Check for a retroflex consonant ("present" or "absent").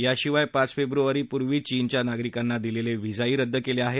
absent